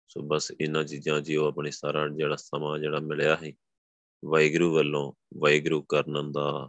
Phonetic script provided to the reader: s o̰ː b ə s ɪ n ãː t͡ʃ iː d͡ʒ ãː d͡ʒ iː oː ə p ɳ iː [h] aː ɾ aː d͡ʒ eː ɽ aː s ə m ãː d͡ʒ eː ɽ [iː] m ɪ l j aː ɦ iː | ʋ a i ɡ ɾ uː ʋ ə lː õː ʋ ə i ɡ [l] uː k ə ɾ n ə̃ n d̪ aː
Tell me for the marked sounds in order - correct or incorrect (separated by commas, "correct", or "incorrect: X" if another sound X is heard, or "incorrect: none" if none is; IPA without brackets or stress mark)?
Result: incorrect: s, incorrect: aː, incorrect: ɾ